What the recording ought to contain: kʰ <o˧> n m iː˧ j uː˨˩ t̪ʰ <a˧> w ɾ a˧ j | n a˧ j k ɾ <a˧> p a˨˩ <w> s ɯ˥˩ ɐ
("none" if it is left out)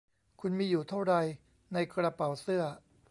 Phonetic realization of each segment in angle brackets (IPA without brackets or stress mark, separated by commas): u˧, a˥˩, a˧, w